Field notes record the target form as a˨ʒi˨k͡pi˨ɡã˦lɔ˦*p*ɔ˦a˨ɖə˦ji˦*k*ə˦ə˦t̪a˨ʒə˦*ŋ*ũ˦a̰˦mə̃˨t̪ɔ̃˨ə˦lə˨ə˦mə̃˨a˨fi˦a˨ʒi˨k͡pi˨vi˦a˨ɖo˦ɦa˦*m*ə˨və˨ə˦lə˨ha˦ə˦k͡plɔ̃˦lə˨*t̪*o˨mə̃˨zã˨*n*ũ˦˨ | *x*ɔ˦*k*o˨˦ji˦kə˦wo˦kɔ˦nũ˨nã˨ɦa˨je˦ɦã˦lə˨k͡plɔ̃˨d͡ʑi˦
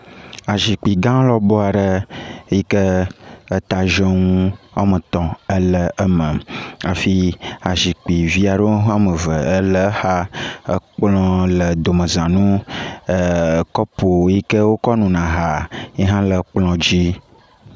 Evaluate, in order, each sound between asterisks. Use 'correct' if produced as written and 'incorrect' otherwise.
incorrect: b, correct, correct, correct, incorrect: d̪, correct, incorrect: k, incorrect: p

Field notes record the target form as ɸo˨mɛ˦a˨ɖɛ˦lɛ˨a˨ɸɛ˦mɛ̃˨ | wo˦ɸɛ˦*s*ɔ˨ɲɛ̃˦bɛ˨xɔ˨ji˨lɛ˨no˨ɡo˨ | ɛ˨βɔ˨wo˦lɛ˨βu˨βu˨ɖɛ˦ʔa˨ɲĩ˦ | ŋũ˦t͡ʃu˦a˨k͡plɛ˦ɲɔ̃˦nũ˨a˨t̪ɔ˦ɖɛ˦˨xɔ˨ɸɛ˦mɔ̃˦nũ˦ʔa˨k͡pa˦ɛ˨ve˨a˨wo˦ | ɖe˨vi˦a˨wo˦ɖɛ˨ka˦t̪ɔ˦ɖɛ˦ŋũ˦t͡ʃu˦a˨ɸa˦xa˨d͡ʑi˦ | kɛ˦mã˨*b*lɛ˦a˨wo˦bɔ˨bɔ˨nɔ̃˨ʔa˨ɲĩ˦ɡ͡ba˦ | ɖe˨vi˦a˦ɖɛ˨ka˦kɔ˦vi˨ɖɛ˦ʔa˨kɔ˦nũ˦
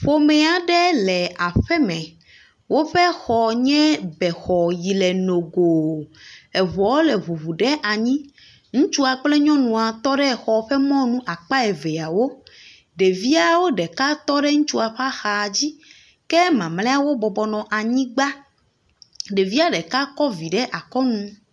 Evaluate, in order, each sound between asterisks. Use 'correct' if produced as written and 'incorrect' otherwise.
incorrect: x, incorrect: m

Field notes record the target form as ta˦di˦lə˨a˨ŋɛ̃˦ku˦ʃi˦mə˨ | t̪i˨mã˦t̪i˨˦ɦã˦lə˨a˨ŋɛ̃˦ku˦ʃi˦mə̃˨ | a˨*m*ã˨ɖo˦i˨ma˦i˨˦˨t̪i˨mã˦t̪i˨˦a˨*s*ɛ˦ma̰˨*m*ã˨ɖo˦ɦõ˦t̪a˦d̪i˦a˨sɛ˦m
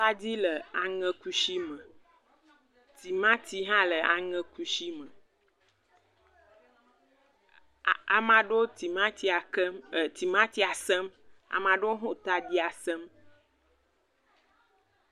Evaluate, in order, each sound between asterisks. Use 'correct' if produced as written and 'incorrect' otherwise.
correct, correct, correct

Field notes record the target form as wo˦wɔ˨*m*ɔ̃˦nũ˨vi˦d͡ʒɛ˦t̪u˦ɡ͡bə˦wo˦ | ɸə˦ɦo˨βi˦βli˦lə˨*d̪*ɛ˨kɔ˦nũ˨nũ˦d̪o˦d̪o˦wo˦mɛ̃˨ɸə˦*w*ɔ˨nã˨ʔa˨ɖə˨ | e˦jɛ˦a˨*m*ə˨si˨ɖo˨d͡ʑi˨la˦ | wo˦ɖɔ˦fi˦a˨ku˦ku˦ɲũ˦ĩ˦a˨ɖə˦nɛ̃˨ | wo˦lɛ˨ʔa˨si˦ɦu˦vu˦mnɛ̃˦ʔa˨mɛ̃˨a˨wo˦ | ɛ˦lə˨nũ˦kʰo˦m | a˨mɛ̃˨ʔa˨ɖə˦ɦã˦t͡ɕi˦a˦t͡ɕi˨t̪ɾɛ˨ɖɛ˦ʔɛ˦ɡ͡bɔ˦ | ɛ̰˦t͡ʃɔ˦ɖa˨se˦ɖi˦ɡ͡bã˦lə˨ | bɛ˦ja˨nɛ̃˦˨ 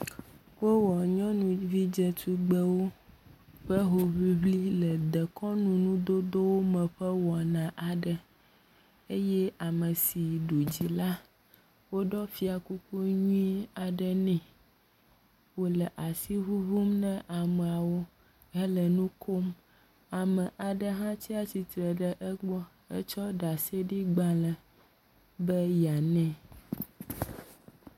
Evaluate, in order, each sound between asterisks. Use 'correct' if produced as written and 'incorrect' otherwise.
incorrect: ɲ, correct, correct, correct

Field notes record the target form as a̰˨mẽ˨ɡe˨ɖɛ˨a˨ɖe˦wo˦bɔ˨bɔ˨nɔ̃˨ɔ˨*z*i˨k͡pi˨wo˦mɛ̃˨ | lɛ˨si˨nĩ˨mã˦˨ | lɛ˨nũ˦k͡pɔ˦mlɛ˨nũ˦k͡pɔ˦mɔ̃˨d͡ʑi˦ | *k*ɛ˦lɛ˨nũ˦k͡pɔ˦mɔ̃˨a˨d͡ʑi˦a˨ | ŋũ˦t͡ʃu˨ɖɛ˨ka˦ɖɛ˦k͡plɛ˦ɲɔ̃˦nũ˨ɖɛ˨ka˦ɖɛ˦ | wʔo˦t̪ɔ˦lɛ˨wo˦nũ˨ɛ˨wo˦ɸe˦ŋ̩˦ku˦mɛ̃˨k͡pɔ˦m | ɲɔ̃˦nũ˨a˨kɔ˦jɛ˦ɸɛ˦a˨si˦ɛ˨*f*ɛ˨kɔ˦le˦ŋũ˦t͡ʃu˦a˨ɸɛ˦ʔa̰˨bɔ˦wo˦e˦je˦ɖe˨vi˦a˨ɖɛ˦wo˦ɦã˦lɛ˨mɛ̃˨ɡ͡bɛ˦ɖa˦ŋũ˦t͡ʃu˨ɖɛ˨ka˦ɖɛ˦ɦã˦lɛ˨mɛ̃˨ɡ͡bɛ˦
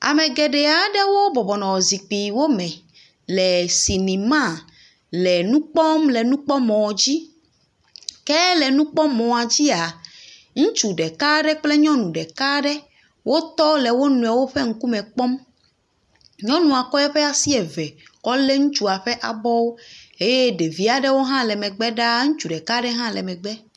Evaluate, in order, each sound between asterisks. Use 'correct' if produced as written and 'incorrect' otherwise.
correct, correct, incorrect: v

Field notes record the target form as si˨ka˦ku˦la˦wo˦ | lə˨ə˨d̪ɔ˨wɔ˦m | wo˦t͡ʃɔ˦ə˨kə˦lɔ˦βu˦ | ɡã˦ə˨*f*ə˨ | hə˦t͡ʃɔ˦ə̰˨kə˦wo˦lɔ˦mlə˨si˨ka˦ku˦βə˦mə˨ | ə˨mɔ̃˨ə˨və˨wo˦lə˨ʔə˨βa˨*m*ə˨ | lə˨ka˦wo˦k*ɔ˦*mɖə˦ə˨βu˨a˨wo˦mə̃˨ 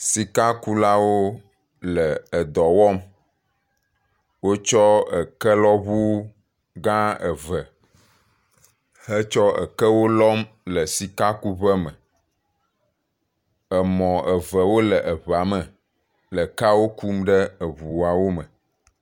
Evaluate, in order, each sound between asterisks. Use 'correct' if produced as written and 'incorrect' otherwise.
incorrect: v, correct, incorrect: u˦

